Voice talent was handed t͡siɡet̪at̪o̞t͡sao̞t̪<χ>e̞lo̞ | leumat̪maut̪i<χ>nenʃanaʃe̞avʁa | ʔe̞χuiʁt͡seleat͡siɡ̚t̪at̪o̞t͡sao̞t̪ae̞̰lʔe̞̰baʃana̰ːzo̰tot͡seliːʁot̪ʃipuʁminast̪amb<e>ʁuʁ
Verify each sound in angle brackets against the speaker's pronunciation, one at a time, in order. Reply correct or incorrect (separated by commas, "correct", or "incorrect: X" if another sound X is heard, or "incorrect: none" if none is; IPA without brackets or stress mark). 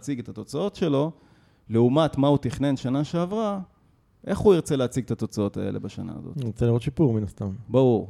incorrect: ʃ, correct, incorrect: a